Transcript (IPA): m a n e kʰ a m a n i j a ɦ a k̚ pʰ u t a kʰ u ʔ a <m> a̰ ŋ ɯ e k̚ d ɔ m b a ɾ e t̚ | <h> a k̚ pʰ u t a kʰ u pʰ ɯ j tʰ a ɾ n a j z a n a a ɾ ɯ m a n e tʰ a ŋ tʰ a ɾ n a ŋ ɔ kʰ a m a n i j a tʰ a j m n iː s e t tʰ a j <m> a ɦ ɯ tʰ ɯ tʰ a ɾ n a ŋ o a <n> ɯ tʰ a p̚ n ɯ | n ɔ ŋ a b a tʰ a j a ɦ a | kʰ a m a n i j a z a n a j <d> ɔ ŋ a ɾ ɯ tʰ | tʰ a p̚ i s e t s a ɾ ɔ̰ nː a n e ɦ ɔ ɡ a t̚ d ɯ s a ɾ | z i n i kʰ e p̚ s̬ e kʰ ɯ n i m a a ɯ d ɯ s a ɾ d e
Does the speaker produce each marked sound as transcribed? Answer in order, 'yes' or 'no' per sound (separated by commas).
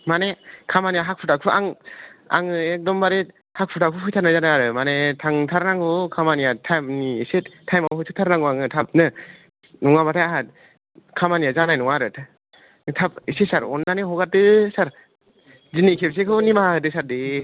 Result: no, yes, yes, no, no